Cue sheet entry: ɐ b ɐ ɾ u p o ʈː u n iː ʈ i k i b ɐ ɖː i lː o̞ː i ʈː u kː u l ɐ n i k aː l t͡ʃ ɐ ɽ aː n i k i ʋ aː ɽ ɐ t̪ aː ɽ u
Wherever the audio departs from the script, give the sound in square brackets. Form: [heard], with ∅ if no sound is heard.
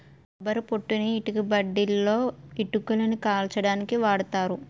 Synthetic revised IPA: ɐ b ɐ ɾ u p o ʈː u n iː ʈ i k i b ɐ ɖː i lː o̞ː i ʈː u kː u l ɐ n i k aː l t͡ʃ ɐ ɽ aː n i k i ʋ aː ɽ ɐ t̪ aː [ɾ] u